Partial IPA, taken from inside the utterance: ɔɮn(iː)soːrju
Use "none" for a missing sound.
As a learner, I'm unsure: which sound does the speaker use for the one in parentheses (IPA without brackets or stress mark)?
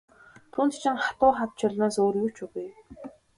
aː